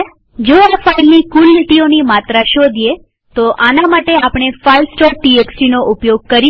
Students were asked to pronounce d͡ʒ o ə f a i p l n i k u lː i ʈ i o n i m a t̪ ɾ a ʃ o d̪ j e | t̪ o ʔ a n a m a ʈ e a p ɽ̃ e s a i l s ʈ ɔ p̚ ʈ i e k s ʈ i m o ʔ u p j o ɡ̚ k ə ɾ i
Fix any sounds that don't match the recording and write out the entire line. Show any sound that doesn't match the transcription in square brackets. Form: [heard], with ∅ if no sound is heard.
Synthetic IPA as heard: d͡ʒ o [a] f a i [∅] l n i k u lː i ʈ i o n i m a t̪ ɾ a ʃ o d̪ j e | t̪ o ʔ a n a m a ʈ e a p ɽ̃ e [f] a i l s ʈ ɔ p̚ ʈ i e k s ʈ i [n] o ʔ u p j o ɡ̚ k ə ɾ i